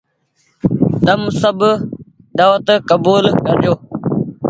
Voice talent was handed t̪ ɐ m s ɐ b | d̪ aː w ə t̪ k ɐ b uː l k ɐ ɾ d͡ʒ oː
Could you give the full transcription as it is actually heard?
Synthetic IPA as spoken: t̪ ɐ m s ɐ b | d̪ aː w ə t̪ k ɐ b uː l k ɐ ɾ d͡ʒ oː